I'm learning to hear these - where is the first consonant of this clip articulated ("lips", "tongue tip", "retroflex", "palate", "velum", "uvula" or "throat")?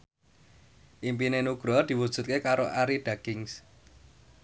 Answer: throat